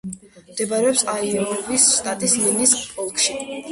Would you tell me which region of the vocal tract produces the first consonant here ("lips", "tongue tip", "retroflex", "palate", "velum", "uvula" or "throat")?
lips